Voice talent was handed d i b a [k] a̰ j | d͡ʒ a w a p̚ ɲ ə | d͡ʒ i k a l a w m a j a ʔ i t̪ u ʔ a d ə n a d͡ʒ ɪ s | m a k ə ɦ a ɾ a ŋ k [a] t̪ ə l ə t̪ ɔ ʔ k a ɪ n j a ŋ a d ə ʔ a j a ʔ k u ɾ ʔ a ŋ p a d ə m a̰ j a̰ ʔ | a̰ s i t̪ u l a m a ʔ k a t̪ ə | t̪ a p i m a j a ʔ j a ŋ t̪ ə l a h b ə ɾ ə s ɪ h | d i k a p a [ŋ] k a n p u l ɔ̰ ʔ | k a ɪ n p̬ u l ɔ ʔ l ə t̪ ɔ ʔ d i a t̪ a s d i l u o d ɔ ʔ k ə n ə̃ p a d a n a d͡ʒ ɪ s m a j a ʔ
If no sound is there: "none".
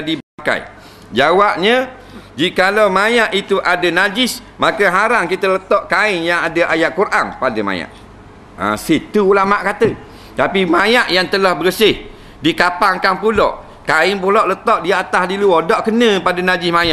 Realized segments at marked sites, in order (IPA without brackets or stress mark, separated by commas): k, i, ŋ